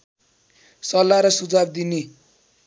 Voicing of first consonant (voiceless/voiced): voiceless